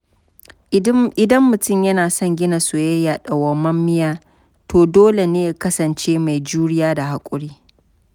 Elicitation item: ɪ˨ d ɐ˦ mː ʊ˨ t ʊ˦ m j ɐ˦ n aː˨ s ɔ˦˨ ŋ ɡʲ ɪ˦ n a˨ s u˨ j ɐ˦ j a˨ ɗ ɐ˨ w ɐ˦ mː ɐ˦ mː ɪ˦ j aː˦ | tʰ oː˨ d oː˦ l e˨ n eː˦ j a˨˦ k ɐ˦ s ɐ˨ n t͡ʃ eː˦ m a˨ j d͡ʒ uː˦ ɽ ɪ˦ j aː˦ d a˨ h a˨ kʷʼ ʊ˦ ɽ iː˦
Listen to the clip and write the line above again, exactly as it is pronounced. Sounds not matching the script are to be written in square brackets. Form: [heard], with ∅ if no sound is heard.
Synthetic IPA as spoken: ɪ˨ d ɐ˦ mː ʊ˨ t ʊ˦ m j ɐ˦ n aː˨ s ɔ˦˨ ŋ ɡʲ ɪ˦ n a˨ s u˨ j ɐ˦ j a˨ ɗ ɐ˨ w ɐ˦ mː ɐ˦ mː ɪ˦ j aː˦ | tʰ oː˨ d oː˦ l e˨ n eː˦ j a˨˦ k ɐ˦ s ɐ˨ n t͡ʃ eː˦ m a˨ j d͡ʒ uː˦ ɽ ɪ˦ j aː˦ d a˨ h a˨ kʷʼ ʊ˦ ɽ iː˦